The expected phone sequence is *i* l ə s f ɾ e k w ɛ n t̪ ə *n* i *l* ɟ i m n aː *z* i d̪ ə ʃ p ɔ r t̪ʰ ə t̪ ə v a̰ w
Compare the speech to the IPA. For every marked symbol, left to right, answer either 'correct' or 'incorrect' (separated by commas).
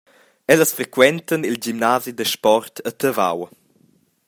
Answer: incorrect, correct, correct, correct